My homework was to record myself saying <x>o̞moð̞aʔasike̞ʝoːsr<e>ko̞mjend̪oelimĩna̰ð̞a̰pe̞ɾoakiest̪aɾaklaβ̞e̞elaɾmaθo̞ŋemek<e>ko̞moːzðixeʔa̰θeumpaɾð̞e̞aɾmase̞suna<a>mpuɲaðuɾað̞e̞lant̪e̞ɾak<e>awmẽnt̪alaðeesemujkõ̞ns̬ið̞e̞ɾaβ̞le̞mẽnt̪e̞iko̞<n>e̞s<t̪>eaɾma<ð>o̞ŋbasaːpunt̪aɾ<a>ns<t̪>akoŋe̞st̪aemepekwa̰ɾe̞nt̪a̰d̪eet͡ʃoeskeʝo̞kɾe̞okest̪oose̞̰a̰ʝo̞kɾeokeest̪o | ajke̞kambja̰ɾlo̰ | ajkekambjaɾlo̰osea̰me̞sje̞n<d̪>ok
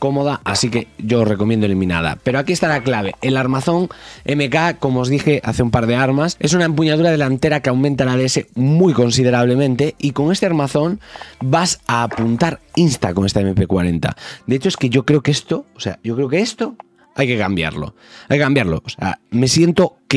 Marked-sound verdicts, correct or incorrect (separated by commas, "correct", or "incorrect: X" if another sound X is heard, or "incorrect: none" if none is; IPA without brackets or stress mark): incorrect: k, correct, incorrect: a, incorrect: e, correct, incorrect: ŋ, correct, incorrect: θ, incorrect: i, correct, incorrect: t̪